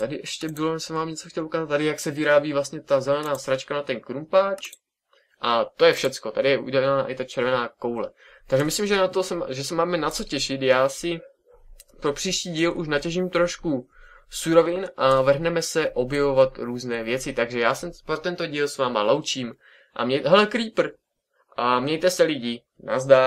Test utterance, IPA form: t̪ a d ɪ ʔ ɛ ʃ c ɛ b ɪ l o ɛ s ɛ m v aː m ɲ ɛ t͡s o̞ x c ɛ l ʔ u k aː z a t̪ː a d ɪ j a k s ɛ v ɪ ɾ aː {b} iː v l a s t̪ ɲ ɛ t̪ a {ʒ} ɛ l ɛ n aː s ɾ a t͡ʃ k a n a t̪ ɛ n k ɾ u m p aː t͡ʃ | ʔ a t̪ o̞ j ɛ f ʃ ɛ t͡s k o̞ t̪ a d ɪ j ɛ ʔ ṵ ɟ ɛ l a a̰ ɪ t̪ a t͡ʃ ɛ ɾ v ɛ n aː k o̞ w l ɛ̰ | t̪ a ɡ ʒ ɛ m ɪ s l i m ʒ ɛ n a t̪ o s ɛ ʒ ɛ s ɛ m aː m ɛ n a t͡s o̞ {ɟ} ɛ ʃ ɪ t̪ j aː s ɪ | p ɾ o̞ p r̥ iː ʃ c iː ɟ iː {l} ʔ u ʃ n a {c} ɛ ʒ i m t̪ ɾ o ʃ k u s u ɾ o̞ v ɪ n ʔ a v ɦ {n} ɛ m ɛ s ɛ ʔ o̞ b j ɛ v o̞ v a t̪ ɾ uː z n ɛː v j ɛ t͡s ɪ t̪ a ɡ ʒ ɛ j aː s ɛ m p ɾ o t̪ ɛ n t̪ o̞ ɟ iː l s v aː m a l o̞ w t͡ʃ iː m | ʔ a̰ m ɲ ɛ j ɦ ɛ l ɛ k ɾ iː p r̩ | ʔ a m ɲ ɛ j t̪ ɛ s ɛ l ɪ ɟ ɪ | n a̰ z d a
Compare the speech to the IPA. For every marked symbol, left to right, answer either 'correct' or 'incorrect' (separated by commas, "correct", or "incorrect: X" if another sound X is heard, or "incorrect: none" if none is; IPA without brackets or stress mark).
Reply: correct, incorrect: z, incorrect: c, correct, correct, correct